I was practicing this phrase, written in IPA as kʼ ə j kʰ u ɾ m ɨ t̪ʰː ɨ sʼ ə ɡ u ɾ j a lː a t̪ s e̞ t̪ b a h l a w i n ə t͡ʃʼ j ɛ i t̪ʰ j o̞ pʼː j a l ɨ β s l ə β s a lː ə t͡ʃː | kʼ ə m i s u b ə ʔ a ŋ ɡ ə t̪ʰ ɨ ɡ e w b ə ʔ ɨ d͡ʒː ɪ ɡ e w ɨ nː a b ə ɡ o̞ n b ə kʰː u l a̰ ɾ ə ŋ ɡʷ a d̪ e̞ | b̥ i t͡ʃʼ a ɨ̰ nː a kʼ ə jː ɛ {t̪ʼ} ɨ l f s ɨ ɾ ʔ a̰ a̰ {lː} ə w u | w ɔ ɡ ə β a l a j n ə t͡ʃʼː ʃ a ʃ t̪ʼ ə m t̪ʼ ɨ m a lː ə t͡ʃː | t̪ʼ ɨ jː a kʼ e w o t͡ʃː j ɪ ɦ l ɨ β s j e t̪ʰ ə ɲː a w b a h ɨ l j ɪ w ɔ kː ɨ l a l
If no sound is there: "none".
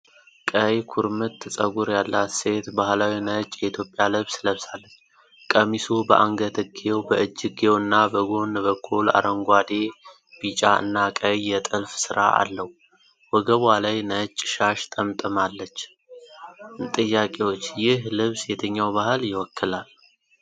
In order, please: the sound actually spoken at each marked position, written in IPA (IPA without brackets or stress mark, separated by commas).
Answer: t̪ʼ, lː